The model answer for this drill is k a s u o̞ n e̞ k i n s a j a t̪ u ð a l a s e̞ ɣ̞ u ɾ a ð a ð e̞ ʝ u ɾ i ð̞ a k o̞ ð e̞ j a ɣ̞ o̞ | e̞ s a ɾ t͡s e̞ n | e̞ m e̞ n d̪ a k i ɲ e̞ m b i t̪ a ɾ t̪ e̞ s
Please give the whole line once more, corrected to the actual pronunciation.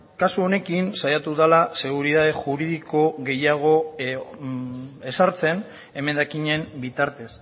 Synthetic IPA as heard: k a s u o̞ n e̞ k i n s a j a t̪ u ð a l a s e̞ ɣ̞ u ɾ i ð a ð e̞ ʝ u ɾ i ð̞ i k o̞ ɣ e̞ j a ɣ̞ o̞ | e̞ s a ɾ t͡s e̞ n | e̞ m e̞ n d̪ a k i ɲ e̞ m b i t̪ a ɾ t̪ e̞ s